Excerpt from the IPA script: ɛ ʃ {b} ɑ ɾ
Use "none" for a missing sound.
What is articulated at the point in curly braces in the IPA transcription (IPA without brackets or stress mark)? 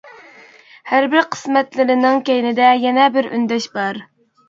b